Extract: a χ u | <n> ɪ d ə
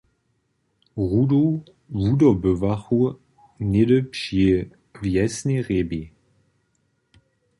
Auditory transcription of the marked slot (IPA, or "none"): n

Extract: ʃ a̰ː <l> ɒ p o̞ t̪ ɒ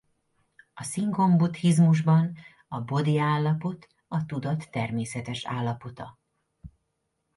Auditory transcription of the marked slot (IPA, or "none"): lː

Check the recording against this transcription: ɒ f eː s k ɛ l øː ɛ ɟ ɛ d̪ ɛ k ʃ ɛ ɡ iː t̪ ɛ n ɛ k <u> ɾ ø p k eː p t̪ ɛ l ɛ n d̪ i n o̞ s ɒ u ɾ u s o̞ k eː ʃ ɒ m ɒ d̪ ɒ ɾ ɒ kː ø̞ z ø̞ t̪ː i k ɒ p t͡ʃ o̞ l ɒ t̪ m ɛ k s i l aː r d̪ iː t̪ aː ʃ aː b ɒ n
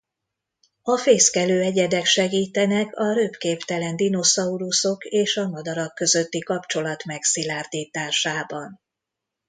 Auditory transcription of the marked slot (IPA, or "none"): ɒ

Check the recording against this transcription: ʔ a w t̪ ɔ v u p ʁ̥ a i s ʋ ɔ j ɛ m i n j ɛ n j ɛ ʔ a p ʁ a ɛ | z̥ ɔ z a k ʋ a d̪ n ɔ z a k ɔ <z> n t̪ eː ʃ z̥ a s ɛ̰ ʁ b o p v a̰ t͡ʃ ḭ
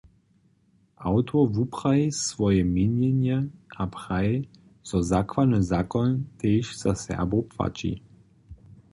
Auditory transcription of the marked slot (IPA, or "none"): none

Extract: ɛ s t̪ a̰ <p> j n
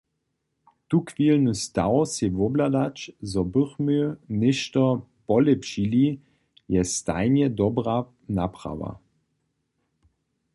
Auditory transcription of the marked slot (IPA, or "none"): none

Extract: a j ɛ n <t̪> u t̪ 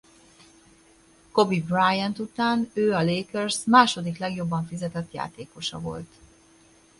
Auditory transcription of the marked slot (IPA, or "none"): t̪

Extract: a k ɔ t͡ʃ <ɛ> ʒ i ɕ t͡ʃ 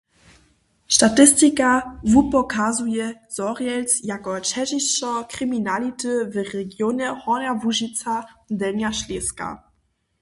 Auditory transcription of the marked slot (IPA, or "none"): ɛ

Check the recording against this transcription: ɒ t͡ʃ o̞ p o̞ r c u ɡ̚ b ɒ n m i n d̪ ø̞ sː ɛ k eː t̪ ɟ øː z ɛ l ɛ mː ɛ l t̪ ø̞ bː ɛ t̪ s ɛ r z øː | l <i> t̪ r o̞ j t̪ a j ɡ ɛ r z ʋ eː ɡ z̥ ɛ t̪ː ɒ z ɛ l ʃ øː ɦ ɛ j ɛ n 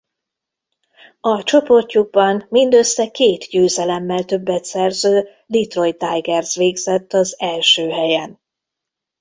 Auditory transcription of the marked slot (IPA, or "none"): i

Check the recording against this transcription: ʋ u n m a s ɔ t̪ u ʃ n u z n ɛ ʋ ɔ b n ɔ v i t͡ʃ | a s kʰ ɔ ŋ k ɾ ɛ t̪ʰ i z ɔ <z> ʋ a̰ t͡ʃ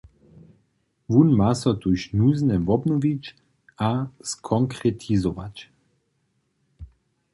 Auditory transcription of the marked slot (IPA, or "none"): none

